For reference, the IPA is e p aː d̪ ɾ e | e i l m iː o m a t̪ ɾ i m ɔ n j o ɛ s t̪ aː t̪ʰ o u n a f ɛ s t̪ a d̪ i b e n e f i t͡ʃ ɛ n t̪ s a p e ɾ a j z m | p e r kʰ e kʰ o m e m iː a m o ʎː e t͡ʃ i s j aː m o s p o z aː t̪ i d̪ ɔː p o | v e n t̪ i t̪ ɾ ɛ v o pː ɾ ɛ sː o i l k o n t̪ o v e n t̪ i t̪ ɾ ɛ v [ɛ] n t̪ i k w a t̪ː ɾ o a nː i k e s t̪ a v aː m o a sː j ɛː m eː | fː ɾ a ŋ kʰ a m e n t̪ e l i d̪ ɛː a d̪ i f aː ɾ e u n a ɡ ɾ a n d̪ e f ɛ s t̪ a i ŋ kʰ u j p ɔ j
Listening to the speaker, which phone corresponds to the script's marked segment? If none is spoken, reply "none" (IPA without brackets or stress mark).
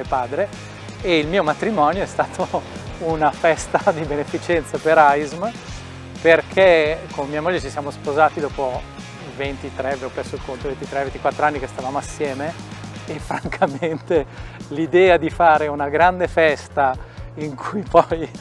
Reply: e